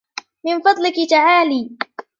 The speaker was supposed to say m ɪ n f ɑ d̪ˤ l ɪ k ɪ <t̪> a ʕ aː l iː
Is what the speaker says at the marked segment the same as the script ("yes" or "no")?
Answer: yes